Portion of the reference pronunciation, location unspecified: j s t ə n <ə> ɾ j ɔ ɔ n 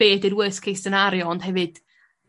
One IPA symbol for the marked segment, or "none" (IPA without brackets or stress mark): a